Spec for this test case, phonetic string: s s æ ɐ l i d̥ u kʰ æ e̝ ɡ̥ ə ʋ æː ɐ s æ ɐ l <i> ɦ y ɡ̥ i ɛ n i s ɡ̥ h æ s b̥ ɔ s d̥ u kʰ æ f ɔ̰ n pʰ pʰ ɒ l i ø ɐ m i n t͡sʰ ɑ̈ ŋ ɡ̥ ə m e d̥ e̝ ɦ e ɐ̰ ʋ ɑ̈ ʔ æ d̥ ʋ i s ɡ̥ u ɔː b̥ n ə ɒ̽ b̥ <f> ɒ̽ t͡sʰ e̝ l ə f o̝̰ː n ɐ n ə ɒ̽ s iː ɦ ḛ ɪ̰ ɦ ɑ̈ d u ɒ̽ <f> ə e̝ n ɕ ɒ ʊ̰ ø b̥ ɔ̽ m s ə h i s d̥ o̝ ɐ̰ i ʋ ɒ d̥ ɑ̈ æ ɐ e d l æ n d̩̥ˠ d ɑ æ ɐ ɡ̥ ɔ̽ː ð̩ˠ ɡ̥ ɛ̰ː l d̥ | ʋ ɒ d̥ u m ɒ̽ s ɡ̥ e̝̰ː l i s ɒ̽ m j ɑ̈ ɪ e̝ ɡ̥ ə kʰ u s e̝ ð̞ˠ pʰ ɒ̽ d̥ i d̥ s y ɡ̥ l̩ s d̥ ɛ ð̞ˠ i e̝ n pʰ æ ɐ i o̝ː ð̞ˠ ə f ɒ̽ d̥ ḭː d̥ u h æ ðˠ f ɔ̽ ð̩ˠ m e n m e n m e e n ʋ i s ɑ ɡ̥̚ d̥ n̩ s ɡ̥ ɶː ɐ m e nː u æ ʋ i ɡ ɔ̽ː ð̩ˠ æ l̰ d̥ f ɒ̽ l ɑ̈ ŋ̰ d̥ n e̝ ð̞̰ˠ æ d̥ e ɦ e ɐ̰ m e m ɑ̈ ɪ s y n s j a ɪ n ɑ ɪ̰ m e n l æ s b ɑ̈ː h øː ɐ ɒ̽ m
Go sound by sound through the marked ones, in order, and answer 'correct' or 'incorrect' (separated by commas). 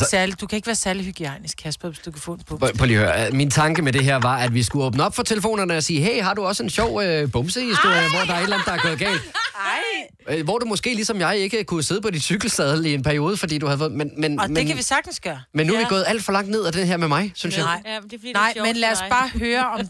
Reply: correct, correct, incorrect